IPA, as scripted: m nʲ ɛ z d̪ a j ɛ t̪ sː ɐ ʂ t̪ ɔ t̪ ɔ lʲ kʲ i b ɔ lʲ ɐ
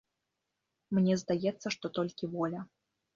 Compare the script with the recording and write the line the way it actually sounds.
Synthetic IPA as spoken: m nʲ ɛ z d̪ a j ɛ t̪ sː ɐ ʂ t̪ ɔ t̪ ɔ lʲ kʲ i v ɔ lʲ ɐ